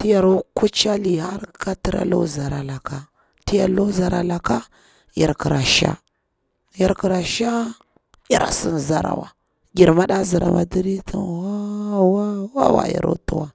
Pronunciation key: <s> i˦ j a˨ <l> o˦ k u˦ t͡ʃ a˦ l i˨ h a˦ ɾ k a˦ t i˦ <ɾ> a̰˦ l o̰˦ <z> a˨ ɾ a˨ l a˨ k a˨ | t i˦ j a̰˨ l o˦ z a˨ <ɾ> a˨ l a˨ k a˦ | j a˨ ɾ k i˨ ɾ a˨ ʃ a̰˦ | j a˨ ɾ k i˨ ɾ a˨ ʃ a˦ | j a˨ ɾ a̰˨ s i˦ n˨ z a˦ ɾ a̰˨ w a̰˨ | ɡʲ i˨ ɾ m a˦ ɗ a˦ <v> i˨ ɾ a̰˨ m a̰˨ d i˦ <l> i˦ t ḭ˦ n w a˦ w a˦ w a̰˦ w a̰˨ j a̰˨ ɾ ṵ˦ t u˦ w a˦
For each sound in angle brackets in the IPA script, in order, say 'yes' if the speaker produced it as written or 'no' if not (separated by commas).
no, no, yes, yes, yes, no, no